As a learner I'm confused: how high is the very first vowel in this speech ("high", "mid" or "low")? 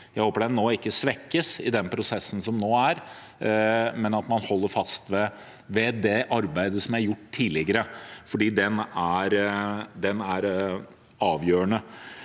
low